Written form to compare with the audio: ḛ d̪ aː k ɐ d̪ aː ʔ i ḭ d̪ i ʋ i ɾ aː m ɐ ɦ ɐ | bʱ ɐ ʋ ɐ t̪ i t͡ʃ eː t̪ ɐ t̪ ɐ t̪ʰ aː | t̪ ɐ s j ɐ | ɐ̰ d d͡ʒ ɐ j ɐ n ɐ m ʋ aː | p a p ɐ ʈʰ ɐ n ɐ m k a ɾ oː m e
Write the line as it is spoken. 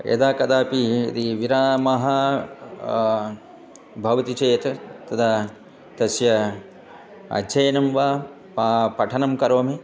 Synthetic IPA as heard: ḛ d̪ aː k ɐ d̪ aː p i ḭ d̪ i ʋ i ɾ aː m ɐ ɦ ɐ | bʱ ɐ ʋ ɐ t̪ i t͡ʃ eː t̪ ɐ t̪ ɐ t̪ʰ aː | t̪ ɐ s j ɐ | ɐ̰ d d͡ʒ ɐ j ɐ n ɐ m ʋ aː | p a p ɐ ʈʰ ɐ n ɐ m k ɐ ɾ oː m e